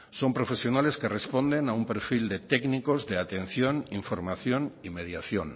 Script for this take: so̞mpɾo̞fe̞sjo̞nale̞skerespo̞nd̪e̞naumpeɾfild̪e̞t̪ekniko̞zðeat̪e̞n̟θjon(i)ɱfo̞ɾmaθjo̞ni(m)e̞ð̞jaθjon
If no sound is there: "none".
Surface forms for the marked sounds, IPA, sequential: i, m

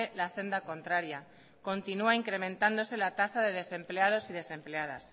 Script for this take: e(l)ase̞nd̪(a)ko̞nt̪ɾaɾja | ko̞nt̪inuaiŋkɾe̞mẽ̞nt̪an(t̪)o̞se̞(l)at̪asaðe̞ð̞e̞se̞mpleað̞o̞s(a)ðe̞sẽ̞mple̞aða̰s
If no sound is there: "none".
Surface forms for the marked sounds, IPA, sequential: l, a, d̪, l, i

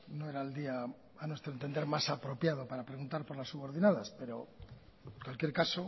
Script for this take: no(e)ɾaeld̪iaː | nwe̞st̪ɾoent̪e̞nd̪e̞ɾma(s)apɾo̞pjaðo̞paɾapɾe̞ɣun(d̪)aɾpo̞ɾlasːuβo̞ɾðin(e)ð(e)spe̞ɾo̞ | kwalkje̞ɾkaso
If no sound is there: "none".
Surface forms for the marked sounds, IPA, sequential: e, s, t̪, a, a

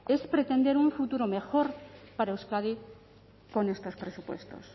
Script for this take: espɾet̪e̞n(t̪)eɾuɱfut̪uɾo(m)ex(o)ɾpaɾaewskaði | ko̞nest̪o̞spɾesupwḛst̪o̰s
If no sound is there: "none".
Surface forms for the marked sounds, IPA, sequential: d̪, m, o

